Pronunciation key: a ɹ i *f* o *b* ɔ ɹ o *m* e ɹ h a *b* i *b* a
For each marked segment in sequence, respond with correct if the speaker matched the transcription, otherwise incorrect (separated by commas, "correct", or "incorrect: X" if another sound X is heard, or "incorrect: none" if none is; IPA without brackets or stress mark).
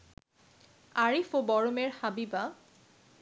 correct, correct, correct, correct, correct